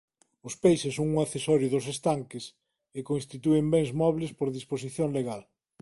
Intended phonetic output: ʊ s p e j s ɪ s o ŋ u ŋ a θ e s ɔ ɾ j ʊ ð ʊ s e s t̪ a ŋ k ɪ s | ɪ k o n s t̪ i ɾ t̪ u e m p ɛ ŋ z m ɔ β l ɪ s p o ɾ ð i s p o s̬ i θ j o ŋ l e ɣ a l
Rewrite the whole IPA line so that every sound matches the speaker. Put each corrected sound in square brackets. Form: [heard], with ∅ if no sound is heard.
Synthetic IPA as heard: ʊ s p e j s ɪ s o ŋ u ŋ a θ e s ɔ ɾ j ʊ ð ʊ s e s t̪ a ŋ k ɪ s | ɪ k o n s t̪ i [∅] t̪ u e m [b] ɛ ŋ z m ɔ β l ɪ s p o ɾ ð i s p o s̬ i θ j o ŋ l e ɣ a l